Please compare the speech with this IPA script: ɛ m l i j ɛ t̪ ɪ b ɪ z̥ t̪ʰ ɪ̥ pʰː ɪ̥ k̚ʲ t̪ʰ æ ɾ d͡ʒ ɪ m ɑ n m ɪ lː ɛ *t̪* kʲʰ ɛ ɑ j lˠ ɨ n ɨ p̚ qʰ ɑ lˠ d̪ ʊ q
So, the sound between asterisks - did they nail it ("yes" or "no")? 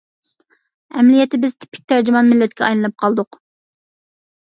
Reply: yes